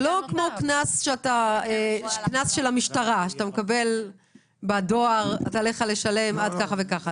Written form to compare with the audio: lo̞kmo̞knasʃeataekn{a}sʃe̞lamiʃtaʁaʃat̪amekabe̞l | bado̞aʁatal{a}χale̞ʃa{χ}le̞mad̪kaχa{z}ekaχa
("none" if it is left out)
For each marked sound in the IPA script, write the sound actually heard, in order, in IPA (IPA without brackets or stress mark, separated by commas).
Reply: a, e, none, v